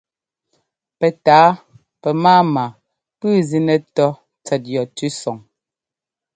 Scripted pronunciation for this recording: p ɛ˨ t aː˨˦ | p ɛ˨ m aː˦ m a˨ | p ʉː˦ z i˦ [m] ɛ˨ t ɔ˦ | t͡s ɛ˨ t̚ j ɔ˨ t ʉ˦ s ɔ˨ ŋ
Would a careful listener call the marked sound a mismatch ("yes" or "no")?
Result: yes